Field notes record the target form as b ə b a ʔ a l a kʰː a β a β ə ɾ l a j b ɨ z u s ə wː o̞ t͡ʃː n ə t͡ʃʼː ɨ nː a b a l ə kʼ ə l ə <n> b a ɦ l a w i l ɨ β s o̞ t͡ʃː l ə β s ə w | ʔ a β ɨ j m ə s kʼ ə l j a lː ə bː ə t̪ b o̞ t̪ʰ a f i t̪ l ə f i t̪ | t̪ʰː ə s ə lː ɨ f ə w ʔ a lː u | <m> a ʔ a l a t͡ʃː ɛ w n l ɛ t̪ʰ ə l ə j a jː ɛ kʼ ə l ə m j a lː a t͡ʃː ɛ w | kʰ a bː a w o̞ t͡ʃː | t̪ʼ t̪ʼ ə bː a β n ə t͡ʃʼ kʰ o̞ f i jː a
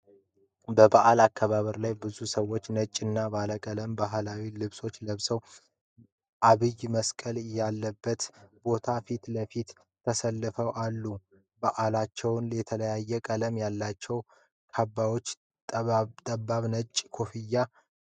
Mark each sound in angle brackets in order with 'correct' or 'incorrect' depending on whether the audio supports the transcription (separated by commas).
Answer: incorrect, incorrect